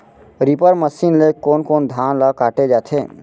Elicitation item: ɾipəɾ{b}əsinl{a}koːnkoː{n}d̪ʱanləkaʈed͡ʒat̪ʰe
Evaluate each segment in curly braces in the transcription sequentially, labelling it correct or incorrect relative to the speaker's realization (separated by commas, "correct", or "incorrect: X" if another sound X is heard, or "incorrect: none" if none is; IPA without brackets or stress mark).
incorrect: m, incorrect: e, correct